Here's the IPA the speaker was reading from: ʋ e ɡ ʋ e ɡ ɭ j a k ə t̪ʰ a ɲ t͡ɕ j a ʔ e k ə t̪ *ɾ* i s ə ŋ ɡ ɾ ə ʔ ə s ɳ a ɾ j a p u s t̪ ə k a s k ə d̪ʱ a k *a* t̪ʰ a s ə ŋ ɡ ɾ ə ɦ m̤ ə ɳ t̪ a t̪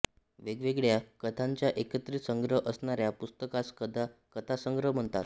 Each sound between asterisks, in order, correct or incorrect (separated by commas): correct, incorrect